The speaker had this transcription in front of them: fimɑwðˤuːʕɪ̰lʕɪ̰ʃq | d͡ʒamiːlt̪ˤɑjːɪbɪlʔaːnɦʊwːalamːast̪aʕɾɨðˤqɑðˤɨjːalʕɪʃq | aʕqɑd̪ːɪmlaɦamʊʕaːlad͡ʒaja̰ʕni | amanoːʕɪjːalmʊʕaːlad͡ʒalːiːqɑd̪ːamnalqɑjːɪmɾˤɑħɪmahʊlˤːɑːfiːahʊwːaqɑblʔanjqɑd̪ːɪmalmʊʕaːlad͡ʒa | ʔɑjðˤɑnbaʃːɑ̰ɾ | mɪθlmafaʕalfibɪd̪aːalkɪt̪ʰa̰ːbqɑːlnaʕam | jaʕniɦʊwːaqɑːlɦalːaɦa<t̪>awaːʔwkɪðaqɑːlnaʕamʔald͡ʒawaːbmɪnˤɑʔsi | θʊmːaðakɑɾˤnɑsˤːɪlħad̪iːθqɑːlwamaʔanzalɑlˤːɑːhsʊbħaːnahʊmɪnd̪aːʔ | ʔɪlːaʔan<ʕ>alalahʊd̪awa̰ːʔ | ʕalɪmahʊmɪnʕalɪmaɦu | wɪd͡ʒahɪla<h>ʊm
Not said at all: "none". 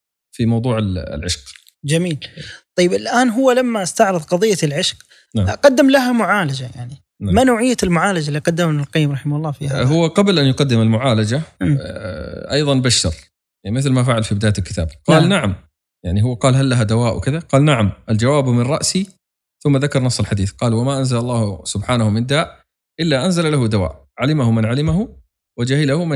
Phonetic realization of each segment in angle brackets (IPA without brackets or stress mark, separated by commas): d̪, z, h